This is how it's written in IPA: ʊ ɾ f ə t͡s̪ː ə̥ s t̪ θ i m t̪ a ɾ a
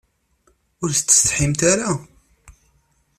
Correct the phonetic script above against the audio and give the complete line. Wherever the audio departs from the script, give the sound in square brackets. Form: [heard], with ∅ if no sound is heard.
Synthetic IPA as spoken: ʊ ɾ [θ] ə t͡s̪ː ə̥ s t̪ [ħ] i m t̪ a ɾ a